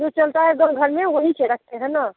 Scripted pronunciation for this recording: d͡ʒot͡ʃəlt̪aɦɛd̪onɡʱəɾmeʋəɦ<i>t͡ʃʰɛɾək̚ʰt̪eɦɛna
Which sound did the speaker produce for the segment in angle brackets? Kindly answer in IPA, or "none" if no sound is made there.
i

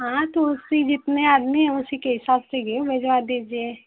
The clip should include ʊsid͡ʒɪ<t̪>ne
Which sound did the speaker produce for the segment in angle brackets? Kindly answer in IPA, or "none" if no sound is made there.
t̪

